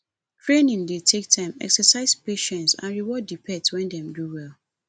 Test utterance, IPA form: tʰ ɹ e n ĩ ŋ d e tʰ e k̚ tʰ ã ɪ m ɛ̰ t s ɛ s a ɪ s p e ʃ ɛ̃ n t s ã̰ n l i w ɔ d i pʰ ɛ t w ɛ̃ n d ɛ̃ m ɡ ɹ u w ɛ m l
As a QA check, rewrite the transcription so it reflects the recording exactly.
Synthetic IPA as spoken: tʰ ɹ e n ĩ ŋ d e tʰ e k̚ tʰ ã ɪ m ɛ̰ k s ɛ s a ɪ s p e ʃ ɛ̃ n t s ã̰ n ɹ i w ɔ d i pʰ ɛ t w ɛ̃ n d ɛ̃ m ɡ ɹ u w ɛ l

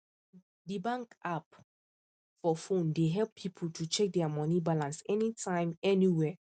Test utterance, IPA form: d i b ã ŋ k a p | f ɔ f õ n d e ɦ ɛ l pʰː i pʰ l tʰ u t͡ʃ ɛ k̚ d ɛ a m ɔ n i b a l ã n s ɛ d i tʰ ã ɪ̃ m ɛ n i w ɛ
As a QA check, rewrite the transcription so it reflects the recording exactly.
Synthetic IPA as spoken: d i b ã ŋ k a p | f ɔ f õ n d e ɦ ɛ l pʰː i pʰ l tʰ u t͡ʃ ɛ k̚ d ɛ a m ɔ n i b a l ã n s ɛ n i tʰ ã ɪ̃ m ɛ n i w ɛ

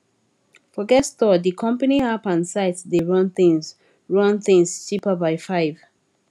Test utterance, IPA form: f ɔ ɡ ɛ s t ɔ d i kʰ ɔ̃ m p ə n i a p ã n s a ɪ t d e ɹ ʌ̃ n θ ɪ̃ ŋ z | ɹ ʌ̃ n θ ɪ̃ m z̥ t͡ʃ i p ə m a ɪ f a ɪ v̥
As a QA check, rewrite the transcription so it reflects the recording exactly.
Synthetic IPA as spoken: f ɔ ɡ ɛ s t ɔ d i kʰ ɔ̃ m p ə n i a p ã n s a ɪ t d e ɹ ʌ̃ n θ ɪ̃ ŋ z | ɹ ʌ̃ n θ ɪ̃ ŋ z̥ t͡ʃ i p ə b a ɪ f a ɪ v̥

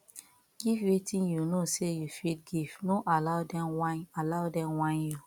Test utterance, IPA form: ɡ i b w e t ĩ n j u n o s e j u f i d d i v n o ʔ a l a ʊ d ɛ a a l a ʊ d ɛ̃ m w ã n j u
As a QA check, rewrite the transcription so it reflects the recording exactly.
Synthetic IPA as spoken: ɡ i v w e t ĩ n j u n o s e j u f i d ɡ i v n o ʔ a l a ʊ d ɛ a a l a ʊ d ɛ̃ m w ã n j u

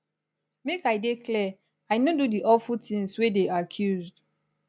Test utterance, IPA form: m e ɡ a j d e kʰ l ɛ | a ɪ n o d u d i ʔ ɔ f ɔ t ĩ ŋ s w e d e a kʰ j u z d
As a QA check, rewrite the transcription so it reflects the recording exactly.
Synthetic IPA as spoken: m e k a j d e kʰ l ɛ | a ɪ n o d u d i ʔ ɔ f u t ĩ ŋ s w e d e a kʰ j u z d

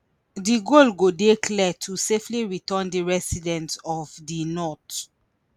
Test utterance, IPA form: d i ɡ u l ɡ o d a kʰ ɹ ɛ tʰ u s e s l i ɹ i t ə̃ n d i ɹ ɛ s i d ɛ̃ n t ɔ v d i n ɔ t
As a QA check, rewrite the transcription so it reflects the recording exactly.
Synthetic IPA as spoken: d i ɡ o l ɡ o d e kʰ l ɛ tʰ u s e f l i ɹ i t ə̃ n d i ɹ ɛ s i d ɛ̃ n t ɔ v d i n ɔ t

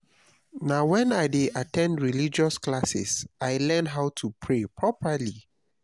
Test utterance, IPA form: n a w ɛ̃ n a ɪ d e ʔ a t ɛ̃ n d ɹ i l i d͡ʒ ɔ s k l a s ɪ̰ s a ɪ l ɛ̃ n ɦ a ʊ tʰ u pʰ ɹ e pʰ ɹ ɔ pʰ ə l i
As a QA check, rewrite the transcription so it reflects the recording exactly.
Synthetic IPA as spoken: n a w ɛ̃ n a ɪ d e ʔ a t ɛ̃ n d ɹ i l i d͡ʒ ɔ s k l a s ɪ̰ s a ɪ l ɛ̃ n ɦ a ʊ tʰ u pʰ ɹ e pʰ ɹ ɔ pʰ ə l i

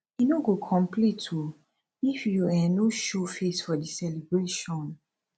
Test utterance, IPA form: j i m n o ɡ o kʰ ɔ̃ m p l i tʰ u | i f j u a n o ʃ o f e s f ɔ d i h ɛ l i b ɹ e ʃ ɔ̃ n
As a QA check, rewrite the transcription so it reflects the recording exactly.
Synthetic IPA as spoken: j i n o ɡ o kʰ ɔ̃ m p l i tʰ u | i f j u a n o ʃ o f e s f ɔ d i s ɛ l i b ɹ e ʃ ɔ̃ n

